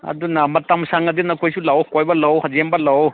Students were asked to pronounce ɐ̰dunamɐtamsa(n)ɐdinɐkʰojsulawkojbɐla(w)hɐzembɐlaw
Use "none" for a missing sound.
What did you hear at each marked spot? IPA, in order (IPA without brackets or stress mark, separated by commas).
ŋ, w